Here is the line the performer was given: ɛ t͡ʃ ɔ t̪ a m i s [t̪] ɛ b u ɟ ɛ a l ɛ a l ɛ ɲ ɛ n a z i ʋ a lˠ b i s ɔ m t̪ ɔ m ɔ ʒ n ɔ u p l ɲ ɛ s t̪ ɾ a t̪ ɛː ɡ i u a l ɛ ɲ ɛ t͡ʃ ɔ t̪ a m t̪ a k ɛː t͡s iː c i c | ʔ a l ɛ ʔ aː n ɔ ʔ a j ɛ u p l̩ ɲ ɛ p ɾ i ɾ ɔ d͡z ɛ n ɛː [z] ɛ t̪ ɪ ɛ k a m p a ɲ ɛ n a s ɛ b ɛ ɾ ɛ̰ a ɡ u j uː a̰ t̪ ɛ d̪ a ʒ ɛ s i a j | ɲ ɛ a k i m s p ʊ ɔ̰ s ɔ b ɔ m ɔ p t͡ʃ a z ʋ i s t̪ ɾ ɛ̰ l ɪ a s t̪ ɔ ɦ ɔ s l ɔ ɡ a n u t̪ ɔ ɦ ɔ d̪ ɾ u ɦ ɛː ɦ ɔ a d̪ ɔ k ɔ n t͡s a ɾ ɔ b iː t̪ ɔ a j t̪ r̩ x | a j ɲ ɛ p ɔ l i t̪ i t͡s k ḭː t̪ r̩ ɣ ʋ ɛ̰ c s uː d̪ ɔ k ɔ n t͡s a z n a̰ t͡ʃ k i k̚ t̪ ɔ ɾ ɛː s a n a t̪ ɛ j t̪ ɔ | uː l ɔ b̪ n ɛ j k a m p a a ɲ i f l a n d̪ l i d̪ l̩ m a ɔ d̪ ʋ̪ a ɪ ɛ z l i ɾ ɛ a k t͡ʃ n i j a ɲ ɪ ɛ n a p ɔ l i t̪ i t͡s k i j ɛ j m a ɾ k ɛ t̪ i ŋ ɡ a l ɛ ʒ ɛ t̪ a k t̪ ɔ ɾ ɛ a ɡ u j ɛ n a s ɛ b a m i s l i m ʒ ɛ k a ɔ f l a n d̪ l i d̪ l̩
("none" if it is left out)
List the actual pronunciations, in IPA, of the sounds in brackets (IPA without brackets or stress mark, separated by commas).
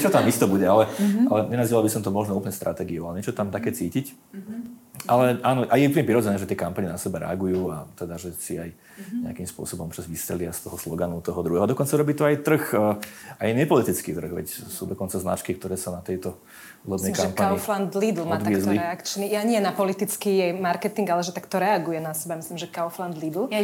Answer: t̪, ʒ